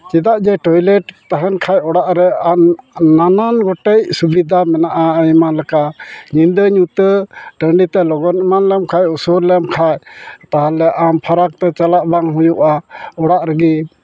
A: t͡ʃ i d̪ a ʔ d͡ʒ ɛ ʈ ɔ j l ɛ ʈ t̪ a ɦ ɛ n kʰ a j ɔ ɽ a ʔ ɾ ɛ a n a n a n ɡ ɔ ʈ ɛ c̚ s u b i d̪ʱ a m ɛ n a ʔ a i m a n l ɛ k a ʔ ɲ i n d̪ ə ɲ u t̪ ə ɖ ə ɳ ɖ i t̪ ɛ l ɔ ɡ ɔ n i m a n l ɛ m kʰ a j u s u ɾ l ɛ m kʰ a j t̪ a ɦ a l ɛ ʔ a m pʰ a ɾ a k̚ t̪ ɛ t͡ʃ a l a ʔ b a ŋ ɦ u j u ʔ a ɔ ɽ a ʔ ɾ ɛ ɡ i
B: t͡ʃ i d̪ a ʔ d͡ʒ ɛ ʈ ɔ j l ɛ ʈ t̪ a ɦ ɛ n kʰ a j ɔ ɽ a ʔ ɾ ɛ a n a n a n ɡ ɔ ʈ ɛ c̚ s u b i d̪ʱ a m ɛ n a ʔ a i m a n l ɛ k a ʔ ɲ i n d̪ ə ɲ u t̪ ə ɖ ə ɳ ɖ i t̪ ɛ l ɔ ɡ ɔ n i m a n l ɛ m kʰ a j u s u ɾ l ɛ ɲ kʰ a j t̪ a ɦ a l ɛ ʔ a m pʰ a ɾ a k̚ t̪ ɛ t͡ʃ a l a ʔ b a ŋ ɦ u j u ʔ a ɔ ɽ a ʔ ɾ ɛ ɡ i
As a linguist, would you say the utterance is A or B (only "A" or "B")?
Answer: A